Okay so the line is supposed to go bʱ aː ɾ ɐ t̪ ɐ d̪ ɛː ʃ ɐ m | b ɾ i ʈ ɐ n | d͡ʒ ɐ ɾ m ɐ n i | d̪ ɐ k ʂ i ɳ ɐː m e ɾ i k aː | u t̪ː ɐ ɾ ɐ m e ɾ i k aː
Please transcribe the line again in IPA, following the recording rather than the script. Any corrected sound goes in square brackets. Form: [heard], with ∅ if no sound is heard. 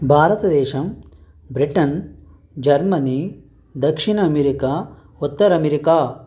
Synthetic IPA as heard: bʱ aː ɾ ɐ t̪ ɐ d̪ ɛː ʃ ɐ m | b ɾ i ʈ ɐ n | d͡ʒ ɐ ɾ m ɐ n i | d̪ ɐ k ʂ i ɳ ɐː m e ɾ i k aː | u t̪ː ɐ ɾ ɐ m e ɾ i k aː